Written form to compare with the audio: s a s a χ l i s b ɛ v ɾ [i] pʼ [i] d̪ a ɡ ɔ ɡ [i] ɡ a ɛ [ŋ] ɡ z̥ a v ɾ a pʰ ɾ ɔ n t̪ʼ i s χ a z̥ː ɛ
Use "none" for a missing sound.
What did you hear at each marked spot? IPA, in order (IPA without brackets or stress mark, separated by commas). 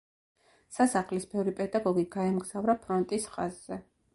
i, ɛ, i, m